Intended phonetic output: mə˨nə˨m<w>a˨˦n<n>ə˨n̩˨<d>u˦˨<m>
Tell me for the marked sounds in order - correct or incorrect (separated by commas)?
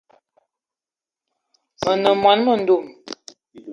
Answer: correct, incorrect, correct, correct